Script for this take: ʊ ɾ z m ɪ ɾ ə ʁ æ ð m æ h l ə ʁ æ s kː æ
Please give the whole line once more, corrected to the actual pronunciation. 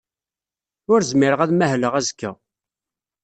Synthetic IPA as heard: ʊ ɾ z m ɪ ɾ ə ʁ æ ð m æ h l ə ʁ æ z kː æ